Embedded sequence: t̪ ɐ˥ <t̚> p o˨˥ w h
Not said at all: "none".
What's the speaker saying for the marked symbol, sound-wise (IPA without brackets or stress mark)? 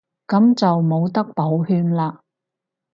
k̚